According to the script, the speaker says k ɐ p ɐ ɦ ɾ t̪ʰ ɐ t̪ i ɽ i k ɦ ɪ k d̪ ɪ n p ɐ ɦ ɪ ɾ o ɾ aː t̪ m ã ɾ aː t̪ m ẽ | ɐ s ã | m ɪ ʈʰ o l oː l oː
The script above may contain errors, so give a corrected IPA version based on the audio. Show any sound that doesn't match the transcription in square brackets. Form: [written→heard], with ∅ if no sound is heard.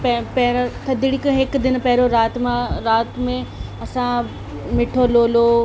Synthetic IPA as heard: [k→p] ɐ p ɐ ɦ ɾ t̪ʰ ɐ [t̪→d̪] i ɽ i k ɦ ɪ k d̪ ɪ n p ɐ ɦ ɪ ɾ o ɾ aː t̪ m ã ɾ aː t̪ m ẽ | ɐ s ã | m ɪ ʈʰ o l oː l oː